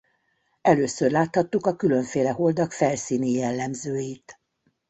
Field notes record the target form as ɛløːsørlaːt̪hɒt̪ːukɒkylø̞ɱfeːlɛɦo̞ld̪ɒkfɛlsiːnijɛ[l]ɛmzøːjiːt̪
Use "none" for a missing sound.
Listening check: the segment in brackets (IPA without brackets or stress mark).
lː